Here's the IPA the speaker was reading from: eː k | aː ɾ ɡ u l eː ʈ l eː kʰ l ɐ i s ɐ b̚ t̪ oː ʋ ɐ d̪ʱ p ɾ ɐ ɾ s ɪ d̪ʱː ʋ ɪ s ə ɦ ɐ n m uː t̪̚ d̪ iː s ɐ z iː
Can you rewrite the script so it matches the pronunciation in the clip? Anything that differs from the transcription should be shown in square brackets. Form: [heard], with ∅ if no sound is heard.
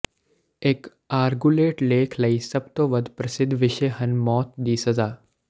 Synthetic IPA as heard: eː k | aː ɾ ɡ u l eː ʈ l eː kʰ l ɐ i s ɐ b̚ t̪ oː ʋ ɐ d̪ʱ p ɾ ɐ [∅] s ɪ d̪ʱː ʋ ɪ [ʃ] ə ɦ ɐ n m [ɔː] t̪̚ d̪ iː s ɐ z [aː]